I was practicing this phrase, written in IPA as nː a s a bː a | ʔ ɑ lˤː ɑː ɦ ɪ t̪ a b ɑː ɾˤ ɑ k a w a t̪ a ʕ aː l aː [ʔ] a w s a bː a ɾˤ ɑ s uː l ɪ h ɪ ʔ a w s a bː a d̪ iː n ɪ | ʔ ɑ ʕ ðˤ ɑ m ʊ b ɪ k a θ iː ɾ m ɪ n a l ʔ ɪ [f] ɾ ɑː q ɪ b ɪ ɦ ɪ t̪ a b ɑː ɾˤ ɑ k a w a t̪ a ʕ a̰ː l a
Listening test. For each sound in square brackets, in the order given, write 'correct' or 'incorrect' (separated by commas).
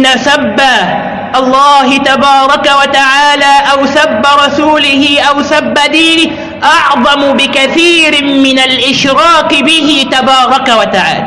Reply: correct, incorrect